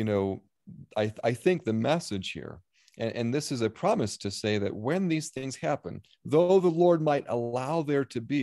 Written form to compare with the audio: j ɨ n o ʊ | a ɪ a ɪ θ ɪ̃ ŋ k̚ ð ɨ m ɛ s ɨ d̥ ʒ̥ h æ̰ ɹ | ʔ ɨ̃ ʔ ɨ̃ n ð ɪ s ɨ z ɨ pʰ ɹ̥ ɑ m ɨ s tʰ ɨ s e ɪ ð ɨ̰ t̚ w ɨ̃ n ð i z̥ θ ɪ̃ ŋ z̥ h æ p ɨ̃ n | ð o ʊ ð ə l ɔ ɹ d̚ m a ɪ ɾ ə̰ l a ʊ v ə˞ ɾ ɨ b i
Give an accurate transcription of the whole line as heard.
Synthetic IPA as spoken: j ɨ n o ʊ | a ɪ a ɪ θ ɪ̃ ŋ k̚ ð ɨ m ɛ s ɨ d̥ ʒ̥ h ḭ ɹ | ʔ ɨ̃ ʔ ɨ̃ n ð ɪ s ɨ z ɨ pʰ ɹ̥ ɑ m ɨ s tʰ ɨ s e ɪ ð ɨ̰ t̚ w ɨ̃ n ð i z̥ θ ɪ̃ ŋ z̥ h æ p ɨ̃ n | ð o ʊ ð ə l ɔ ɹ d̚ m a ɪ ɾ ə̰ l a ʊ ð ə˞ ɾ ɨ b i